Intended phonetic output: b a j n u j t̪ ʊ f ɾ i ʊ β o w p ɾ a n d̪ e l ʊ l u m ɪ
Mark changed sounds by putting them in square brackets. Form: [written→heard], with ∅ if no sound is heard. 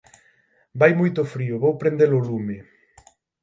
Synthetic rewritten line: b a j [n→m] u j t̪ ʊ f ɾ i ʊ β o w p ɾ [a→e] n d̪ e l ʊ l u m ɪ